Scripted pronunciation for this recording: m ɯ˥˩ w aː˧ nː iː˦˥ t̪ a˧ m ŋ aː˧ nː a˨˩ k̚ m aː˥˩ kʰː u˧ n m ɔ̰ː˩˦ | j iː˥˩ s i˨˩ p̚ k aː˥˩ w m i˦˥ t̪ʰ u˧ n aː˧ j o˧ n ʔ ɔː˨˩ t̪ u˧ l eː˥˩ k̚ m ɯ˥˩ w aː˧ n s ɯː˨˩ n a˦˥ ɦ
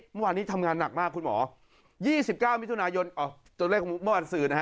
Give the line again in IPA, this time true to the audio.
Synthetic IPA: m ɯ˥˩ w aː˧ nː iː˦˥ t̪ʰ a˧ m ŋ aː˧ nː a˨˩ k̚ m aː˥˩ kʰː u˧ n m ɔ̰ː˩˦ | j iː˥˩ s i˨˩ p̚ k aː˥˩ w m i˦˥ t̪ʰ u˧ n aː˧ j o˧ n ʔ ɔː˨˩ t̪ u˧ l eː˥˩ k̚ m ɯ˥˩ w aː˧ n s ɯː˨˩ n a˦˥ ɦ

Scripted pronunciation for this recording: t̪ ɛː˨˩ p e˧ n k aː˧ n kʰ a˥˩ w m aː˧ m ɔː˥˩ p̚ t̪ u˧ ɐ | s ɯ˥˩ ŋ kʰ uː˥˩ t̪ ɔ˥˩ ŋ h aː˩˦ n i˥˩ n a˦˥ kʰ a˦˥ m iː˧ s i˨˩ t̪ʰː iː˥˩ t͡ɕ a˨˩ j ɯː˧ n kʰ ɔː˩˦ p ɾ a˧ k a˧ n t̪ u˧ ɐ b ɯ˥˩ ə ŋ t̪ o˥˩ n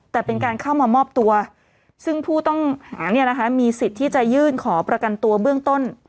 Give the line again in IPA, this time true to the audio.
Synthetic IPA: t̪ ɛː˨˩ p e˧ n k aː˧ n kʰ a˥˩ w m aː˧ m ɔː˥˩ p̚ t̪ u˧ ɐ | s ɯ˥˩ ŋ pʰ uː˥˩ t̪ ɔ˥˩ ŋ h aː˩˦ n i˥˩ n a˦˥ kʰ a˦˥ m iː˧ s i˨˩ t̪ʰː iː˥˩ t͡ɕ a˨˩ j ɯː˥˩ n kʰ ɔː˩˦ p ɾ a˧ k a˧ n t̪ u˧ ɐ b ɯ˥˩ ə ŋ t̪ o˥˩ n

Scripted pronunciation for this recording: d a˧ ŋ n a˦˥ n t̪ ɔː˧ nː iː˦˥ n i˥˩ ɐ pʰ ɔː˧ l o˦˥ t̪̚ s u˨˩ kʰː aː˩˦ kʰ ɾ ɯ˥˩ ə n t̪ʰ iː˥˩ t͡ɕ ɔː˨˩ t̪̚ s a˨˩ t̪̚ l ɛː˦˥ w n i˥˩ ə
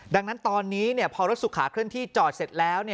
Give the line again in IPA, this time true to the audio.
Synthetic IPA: d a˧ ŋ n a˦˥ n t̪ ɔː˧ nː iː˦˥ n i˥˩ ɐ pʰ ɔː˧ ɾ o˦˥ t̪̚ s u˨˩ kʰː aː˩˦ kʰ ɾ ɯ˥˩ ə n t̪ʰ iː˥˩ t͡ɕ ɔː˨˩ t̪̚ s e˨˩ t̪̚ l ɛː˦˥ w n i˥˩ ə

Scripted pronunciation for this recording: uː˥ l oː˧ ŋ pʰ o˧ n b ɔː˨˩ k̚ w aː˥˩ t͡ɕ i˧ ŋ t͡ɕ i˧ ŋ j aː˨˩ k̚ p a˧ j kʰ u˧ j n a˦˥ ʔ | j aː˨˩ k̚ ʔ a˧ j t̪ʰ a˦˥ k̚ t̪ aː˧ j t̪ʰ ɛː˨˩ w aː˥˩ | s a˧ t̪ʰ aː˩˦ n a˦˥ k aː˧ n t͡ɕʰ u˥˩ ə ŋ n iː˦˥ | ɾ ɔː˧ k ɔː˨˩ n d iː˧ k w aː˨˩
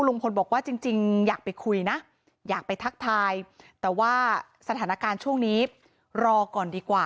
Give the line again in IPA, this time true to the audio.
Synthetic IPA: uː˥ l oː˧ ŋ pʰ o˧ n b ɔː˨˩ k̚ w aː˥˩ t͡ɕ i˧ ŋ t͡ɕ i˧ ŋ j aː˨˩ k̚ p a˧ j kʰ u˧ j n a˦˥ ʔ | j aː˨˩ k̚ p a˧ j t̪ʰ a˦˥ k̚ t̪ʰ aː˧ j t̪ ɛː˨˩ w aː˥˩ | s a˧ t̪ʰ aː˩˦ n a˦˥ k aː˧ n t͡ɕʰ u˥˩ ə ŋ n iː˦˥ | ɾ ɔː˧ k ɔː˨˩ n d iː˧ k w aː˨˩

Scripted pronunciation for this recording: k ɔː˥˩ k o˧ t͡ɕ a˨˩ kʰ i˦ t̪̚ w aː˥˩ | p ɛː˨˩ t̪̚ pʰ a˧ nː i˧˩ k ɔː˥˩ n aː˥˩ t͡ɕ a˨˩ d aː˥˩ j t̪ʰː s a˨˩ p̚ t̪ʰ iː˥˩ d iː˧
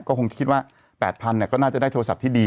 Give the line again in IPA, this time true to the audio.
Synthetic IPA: k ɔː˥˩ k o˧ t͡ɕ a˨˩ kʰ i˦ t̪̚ w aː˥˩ | p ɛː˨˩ t̪̚ pʰ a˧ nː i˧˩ k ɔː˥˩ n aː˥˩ t͡ɕ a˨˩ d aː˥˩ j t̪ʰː s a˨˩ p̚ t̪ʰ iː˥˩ d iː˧

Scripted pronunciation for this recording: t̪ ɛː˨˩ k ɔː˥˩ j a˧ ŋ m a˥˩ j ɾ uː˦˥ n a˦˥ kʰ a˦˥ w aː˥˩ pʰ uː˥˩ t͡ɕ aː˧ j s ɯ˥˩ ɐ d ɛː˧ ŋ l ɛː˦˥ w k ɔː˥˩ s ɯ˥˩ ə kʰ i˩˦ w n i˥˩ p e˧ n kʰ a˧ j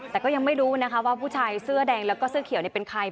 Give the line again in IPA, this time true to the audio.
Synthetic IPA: t̪ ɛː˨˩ k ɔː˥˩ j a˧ ŋ m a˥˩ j ɾ uː˦˥ n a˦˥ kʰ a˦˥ w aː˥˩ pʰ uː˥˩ t͡ɕʰ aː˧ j s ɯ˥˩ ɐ d ɛː˧ ŋ l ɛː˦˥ w k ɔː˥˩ s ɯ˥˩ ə kʰ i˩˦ w n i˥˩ p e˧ n kʰ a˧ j

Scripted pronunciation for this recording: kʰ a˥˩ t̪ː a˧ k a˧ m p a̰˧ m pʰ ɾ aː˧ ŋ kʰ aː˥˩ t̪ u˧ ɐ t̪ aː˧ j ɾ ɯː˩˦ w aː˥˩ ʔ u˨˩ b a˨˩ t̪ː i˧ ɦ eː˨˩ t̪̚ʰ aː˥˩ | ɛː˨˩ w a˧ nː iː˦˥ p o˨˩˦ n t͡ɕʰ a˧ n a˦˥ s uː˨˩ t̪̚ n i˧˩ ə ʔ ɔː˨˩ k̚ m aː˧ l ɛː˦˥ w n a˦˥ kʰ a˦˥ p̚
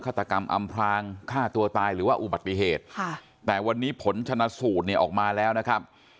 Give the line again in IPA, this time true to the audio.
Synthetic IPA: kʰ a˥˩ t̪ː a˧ k a˧ m ʔ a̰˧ m pʰ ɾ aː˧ ŋ kʰ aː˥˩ t̪ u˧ ɐ t̪ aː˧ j ɾ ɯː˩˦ w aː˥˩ ʔ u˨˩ b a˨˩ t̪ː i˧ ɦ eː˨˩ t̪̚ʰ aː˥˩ | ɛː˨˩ w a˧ nː iː˦˥ pʰ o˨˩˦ n t͡ɕʰ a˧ n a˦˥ s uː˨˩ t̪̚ n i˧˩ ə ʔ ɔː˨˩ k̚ m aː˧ l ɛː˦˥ w n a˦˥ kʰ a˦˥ p̚

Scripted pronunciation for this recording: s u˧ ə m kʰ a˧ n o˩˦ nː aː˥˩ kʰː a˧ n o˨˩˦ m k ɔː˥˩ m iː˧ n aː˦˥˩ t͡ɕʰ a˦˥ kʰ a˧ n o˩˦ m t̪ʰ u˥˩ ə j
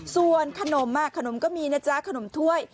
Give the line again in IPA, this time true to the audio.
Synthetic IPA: s u˧ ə n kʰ a˧ n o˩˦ mː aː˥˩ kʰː a˧ n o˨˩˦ m k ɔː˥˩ m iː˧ n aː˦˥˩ t͡ɕ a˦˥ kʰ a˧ n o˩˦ m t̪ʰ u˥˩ ə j

